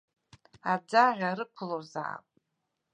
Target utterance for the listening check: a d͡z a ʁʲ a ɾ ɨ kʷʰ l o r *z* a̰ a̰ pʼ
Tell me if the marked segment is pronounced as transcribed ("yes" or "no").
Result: yes